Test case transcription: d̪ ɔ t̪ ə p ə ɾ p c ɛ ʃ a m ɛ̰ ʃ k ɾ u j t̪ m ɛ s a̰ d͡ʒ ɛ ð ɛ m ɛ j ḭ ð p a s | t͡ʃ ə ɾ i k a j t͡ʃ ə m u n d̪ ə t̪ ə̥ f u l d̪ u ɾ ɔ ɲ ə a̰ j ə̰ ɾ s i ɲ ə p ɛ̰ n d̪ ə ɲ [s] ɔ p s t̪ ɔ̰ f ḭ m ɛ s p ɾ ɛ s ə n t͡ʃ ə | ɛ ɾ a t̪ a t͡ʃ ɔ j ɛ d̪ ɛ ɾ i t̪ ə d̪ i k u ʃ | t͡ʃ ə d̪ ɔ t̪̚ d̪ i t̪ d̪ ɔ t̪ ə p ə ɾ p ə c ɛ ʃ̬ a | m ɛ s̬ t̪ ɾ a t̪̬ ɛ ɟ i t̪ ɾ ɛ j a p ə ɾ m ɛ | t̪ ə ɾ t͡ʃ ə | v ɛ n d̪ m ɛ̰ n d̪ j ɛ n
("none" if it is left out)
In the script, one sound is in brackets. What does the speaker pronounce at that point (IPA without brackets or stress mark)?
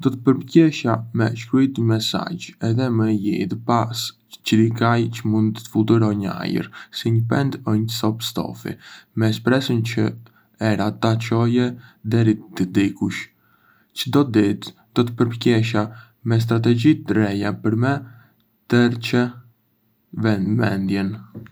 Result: s